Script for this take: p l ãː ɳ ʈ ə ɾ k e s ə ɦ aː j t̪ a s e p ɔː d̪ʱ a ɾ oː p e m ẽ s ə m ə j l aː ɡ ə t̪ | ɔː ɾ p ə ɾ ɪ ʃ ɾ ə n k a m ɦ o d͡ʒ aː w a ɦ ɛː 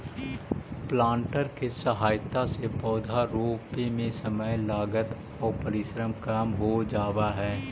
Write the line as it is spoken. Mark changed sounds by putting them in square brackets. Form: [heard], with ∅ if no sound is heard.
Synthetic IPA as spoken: p l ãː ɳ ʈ ə ɾ k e s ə ɦ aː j t̪ a s e p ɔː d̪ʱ a ɾ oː p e m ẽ s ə m ə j l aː ɡ ə t̪ | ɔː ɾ p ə ɾ ɪ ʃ ɾ ə [m] k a m ɦ o d͡ʒ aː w a ɦ ɛː